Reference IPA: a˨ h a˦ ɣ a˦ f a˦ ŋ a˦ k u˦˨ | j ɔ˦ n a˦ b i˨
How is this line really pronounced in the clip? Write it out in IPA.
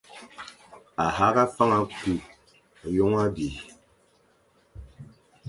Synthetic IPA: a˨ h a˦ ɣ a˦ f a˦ ŋ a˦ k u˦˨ | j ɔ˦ ŋ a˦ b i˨

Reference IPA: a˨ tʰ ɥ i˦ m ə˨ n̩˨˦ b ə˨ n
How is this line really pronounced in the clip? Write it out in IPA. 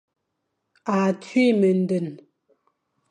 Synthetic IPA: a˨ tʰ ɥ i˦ m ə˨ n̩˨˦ d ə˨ n

